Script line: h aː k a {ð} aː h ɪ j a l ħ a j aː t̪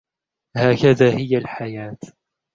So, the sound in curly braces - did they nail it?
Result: yes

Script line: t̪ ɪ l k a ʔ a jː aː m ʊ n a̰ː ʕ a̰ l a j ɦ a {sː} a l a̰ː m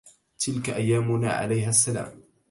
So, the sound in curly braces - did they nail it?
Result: yes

